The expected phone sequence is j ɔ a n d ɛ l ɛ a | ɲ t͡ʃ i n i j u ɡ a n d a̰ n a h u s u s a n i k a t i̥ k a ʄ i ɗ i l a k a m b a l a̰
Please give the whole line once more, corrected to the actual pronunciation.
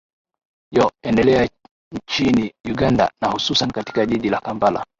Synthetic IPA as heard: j ɔ ɛ n d ɛ l ɛ a | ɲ t͡ʃ i n i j u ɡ a n d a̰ n a h u s u s a n i k a t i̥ k a ʄ i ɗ i l a k a m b a l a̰